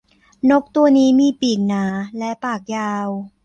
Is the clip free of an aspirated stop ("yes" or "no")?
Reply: yes